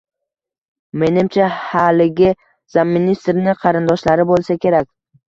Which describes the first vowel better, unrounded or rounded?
unrounded